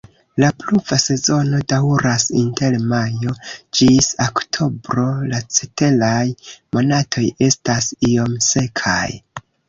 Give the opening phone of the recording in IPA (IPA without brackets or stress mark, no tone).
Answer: l